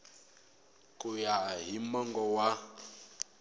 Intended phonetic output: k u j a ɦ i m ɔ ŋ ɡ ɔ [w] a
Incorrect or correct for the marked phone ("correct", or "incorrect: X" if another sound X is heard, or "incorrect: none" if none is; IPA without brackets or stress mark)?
correct